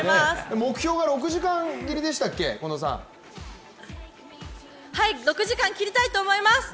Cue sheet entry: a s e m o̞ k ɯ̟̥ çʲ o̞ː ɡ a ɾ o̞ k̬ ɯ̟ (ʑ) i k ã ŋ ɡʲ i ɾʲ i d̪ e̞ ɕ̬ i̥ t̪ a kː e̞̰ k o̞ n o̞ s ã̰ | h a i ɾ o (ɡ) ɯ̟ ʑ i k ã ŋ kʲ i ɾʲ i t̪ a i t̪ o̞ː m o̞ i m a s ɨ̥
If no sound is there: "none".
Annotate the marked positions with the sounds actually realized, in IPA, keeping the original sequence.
ʑ, k

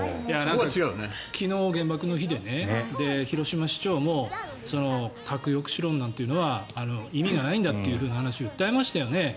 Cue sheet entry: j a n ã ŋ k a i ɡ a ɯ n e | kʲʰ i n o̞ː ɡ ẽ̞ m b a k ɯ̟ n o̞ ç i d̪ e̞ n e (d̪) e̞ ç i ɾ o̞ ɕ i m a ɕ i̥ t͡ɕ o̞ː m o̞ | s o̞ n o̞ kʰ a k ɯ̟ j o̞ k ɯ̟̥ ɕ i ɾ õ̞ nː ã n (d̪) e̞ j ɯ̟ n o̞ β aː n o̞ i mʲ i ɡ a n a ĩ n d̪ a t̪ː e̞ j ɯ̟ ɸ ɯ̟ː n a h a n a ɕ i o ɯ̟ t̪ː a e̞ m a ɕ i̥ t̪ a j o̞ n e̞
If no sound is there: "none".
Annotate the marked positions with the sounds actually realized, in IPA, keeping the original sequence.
d̪, t̪

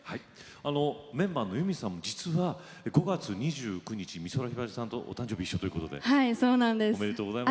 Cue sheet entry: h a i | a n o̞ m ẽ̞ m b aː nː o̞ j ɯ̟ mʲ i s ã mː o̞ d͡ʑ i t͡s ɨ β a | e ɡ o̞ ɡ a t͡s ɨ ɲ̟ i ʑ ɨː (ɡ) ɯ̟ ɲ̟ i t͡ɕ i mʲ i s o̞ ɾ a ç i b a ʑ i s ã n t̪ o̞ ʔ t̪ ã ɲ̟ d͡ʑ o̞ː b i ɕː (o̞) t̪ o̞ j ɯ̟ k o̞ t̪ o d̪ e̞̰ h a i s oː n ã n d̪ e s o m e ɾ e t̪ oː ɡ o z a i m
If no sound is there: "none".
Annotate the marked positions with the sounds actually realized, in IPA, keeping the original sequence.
k, o̞

